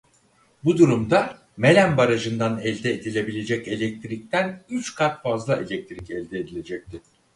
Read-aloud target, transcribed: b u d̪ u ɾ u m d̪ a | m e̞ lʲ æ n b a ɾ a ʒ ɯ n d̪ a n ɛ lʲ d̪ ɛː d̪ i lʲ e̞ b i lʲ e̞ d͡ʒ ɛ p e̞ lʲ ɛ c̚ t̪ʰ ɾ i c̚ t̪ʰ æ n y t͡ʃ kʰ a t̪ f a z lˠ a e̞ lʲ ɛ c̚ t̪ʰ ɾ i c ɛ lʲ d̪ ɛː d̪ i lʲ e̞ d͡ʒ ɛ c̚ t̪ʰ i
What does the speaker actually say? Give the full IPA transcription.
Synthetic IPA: b u d̪ u ɾ u m d̪ a | m e̞ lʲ æ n b a ɾ a ʒ ɯ n d̪ a n ɛ lʲ d̪ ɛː d̪ i lʲ e̞ b i lʲ e̞ d͡ʒ ɛ c e̞ lʲ ɛ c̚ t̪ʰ ɾ i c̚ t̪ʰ æ n y t͡ʃ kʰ a t̪ f a z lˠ a e̞ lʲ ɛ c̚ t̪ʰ ɾ i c ɛ lʲ d̪ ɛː d̪ i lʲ e̞ d͡ʒ ɛ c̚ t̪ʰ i